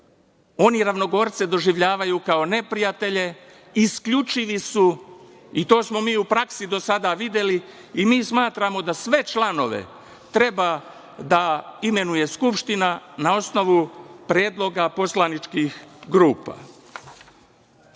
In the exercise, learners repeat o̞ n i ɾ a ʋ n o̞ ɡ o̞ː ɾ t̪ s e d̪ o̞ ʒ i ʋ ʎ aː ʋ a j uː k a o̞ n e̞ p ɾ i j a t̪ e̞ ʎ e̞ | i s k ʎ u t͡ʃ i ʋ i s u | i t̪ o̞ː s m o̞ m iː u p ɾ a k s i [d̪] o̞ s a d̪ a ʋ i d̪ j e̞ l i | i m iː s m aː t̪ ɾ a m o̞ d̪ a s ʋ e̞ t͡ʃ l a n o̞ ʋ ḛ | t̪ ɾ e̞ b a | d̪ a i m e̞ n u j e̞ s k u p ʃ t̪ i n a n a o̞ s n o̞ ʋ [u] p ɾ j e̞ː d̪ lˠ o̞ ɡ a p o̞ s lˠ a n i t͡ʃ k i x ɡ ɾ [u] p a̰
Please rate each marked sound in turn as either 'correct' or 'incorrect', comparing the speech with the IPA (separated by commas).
correct, correct, incorrect